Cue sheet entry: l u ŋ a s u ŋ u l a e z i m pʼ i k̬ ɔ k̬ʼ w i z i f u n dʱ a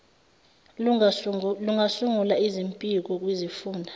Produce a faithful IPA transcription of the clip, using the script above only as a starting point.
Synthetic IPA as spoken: l u ŋ a s u ŋ u l a i z i m pʼ i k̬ ɔ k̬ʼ w i z i f uː n dʱ a